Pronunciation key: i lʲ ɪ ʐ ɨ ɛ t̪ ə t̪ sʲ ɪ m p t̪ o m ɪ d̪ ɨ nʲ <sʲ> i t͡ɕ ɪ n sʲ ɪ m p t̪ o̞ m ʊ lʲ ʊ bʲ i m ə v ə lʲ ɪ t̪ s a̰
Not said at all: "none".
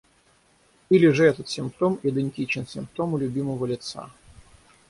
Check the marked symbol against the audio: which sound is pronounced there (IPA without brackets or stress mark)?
tʲ